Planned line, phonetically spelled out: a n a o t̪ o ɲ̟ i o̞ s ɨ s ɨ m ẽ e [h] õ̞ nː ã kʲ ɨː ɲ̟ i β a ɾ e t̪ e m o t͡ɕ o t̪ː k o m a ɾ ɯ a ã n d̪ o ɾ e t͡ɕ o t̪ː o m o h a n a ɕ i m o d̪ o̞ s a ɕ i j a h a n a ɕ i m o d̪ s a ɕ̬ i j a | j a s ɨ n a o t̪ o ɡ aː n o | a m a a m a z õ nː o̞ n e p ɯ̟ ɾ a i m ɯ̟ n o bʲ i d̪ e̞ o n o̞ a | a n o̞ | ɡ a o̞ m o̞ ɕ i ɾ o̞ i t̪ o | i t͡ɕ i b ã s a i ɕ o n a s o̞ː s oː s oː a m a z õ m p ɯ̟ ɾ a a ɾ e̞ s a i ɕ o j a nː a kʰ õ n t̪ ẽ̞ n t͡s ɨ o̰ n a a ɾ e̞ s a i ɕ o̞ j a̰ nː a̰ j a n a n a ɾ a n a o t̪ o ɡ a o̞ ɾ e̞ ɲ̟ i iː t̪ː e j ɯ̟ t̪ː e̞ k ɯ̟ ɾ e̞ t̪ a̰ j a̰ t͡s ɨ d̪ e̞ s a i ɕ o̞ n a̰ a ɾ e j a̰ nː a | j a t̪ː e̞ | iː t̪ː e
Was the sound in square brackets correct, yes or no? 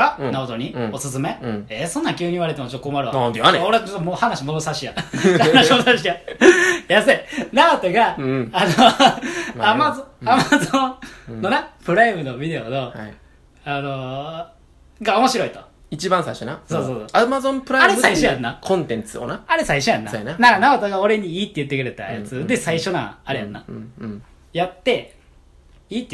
no